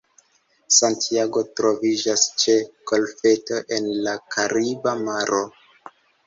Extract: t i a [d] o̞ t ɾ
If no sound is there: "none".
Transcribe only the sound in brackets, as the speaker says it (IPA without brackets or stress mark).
ɡ